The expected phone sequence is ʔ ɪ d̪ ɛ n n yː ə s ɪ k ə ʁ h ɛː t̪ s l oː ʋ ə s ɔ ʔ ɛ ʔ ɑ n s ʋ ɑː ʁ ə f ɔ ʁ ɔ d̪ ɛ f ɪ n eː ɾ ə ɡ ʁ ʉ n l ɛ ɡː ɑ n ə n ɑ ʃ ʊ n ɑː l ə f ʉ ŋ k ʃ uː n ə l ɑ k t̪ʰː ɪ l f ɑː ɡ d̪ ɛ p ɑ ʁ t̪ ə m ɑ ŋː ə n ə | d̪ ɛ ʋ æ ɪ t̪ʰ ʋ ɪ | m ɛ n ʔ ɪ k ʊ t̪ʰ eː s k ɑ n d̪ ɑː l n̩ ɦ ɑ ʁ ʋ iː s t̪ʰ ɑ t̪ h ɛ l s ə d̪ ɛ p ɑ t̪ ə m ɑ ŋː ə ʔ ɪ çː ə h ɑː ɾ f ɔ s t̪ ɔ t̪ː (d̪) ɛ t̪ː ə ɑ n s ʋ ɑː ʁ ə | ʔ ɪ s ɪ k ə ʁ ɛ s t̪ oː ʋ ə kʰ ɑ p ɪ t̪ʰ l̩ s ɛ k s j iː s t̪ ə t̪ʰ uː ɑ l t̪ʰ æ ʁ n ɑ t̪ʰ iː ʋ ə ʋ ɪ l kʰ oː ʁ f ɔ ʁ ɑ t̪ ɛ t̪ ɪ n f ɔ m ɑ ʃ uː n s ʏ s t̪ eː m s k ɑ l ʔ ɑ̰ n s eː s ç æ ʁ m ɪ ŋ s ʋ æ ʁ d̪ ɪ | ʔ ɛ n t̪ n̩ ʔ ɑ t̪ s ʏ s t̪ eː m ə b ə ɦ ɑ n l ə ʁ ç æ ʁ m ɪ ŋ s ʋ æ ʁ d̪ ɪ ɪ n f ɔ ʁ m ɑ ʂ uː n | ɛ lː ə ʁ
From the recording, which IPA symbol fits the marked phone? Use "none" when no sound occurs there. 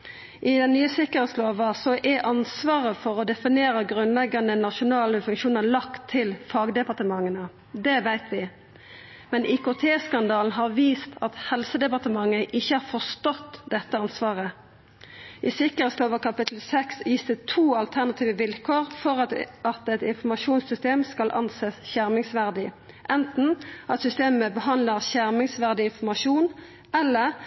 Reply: d̪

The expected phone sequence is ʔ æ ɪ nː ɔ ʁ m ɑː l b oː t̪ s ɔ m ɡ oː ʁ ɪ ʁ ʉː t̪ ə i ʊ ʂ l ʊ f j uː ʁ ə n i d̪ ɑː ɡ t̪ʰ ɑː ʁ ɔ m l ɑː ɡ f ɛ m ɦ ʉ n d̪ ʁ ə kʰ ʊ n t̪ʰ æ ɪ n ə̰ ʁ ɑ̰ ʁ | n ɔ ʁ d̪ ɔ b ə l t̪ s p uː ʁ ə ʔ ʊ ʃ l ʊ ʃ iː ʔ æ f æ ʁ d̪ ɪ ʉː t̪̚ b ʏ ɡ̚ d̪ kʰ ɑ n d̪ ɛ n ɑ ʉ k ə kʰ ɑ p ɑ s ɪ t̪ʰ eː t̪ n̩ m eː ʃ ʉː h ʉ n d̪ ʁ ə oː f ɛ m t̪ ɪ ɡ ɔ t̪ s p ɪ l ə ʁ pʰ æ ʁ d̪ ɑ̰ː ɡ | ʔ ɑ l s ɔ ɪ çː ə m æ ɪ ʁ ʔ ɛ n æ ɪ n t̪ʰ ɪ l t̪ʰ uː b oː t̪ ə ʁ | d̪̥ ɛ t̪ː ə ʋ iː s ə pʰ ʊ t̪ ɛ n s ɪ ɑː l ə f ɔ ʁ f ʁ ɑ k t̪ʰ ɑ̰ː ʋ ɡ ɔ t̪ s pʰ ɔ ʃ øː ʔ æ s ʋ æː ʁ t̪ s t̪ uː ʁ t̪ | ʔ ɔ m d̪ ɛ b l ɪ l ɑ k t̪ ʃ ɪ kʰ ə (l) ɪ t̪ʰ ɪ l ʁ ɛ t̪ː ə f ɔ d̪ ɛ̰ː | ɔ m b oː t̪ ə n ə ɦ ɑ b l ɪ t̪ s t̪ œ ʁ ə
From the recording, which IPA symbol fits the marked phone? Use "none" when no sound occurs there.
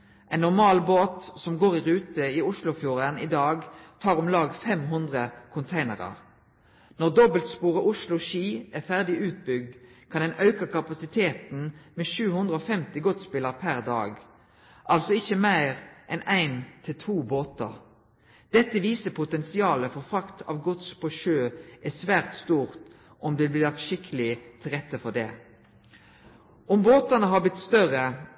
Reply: l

